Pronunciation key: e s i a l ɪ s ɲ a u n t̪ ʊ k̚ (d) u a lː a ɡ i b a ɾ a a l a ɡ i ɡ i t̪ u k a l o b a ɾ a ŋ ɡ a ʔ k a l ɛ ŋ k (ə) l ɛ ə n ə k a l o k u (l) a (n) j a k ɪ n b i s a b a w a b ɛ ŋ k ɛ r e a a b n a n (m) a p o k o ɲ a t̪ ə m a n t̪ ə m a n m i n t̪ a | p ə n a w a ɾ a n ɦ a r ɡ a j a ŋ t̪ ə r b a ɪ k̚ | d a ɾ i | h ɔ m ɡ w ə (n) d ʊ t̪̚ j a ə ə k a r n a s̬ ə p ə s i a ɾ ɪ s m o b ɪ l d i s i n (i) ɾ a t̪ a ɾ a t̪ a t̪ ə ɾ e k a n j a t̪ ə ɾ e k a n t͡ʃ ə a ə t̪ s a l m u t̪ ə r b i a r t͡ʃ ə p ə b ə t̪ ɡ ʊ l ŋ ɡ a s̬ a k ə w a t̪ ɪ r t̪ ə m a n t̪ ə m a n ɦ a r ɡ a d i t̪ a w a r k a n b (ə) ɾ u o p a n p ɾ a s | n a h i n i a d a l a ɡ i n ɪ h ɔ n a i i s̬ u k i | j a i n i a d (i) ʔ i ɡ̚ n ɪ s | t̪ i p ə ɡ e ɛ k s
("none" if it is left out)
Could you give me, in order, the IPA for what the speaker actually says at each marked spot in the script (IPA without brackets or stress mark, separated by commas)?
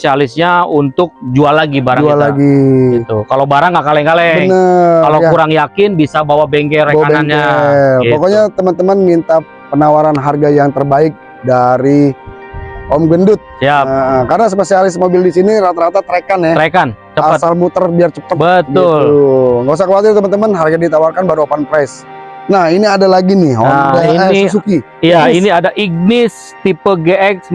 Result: d͡ʒ, a, ɾ, ŋ, ɲ, n, i, a, a